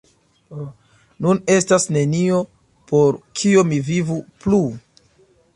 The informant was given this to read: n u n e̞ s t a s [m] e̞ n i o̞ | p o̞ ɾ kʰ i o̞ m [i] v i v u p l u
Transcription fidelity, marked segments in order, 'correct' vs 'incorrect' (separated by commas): incorrect, correct